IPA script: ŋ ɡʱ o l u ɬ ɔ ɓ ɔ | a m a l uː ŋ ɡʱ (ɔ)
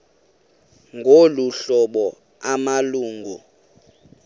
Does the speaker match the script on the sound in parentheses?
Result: no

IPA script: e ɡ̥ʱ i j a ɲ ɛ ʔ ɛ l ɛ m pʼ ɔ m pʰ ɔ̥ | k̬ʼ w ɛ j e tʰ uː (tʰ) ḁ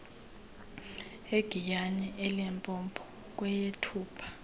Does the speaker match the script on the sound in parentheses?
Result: no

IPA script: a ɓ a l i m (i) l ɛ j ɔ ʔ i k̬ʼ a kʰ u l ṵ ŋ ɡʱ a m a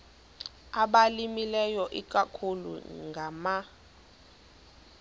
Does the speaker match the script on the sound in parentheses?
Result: yes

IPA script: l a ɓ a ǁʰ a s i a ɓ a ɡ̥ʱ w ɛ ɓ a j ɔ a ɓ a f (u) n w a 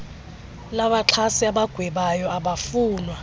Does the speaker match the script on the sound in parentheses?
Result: no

